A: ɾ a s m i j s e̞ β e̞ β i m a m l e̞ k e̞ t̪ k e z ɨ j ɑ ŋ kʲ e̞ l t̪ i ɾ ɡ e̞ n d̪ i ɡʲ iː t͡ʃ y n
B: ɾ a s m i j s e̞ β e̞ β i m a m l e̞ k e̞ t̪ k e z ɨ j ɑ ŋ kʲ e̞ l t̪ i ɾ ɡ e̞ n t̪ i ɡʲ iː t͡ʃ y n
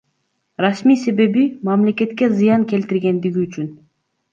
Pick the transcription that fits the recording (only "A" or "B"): A